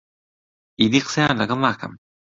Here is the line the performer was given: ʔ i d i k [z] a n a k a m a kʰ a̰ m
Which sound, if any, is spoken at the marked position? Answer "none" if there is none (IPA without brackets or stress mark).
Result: s